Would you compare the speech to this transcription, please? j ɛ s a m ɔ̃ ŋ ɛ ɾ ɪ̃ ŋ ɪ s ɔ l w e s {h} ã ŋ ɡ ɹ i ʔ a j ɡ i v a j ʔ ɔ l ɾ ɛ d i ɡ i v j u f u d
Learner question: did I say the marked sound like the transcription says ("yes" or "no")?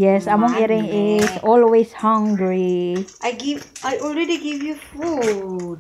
yes